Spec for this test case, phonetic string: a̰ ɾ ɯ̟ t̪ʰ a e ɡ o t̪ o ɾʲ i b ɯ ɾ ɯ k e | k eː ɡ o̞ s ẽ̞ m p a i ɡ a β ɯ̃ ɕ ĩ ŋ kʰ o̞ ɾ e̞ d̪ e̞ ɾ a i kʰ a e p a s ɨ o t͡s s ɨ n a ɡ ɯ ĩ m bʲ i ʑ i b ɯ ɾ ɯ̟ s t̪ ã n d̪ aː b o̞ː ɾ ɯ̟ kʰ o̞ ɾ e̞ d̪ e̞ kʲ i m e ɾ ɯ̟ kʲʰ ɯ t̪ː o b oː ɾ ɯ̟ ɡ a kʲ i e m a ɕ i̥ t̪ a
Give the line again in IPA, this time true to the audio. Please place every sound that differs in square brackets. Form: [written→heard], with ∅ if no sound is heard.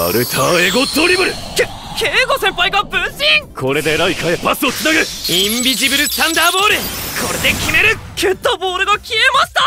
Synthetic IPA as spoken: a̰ ɾ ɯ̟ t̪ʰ a e ɡ o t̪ o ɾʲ i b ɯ ɾ ɯ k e | k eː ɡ o̞ s ẽ̞ m p a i ɡ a [β→b] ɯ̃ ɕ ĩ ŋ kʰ o̞ ɾ e̞ d̪ e̞ ɾ a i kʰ a e p a s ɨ o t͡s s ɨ n a ɡ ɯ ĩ m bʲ i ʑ i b ɯ ɾ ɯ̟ s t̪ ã n d̪ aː b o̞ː ɾ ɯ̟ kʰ o̞ ɾ e̞ d̪ e̞ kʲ i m e ɾ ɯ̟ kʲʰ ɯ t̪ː o b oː ɾ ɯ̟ ɡ a kʲ i e m a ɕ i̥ t̪ a